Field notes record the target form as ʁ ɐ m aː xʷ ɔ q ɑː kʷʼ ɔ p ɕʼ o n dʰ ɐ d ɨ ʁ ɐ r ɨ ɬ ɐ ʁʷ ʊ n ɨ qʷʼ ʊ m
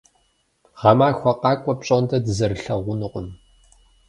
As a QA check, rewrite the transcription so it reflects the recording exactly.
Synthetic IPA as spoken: ʁ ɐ m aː xʷ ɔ q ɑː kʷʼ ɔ p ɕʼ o n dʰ ɐ d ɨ z ɐ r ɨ ɬ ɐ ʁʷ ʊ n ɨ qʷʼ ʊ m